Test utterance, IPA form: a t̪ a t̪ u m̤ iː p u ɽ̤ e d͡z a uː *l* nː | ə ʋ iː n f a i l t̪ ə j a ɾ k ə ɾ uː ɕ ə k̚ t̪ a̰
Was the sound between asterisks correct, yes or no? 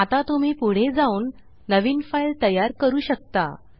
no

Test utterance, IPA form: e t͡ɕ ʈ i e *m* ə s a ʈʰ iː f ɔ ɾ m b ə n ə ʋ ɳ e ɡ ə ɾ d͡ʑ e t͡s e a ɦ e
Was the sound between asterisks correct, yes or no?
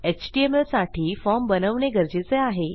yes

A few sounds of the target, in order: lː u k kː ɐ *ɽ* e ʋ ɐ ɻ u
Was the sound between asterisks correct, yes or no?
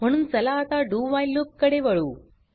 yes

